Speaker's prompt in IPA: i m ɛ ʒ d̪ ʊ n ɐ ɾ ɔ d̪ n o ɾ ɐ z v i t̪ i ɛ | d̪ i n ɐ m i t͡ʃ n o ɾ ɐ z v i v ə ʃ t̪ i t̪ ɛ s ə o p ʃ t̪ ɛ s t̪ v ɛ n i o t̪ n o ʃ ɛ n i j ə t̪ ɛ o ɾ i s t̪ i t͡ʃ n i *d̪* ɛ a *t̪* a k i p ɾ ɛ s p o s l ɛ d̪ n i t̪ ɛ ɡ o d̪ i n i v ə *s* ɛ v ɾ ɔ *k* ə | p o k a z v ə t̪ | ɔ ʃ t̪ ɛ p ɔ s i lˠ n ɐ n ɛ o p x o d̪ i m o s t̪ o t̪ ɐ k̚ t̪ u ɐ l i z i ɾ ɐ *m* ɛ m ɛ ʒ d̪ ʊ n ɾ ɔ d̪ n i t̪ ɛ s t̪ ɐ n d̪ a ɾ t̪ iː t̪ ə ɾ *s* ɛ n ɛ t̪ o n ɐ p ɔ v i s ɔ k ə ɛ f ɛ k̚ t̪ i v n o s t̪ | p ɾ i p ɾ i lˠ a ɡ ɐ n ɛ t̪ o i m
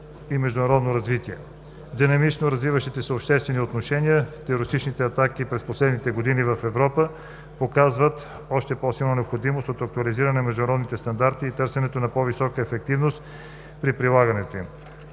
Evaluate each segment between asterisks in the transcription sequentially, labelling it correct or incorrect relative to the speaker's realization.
incorrect: t̪, correct, incorrect: f, incorrect: p, incorrect: n, correct

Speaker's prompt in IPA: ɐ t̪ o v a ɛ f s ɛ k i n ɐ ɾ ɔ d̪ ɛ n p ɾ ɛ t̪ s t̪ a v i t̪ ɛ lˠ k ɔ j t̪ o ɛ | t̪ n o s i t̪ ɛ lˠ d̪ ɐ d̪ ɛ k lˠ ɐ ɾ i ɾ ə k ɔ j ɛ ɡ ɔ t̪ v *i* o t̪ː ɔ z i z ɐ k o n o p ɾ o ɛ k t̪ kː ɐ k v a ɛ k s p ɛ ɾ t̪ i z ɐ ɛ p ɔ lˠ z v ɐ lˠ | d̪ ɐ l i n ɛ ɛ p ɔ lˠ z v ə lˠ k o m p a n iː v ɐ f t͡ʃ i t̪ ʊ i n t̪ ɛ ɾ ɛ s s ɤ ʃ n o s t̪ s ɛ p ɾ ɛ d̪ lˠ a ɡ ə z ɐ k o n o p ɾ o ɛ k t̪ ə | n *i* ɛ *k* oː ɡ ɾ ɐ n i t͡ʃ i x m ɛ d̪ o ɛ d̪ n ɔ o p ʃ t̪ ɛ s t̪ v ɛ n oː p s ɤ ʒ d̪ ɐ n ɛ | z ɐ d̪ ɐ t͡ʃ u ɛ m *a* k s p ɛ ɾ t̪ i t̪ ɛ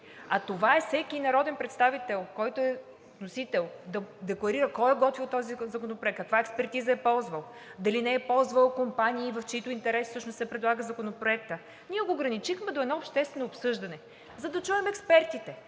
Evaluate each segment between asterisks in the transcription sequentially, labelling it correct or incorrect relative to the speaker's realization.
correct, correct, incorrect: ɡ, incorrect: ɛ

